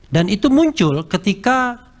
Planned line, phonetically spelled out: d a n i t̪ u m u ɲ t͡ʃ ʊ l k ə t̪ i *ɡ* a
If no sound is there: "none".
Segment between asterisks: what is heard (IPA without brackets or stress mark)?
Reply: k